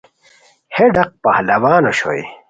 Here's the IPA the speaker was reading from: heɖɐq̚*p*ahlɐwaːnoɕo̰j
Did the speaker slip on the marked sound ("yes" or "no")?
no